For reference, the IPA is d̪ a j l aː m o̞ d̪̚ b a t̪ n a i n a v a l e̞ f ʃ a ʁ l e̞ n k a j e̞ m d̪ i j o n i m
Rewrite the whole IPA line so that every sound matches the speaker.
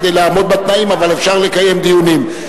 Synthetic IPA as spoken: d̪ e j l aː m o̞ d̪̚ b a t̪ n a i m a v a l e̞ f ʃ a ʁ l e̞ k a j e̞ m d̪ i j u n i m